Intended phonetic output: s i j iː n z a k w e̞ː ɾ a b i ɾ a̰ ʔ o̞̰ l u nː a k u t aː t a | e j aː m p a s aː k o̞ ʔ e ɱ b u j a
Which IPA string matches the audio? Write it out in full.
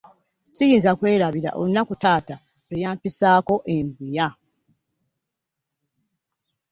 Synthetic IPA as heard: s i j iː n z a k w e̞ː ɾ a β i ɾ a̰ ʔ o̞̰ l u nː a k u t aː t a | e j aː m p i s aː k o̞ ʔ e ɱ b u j a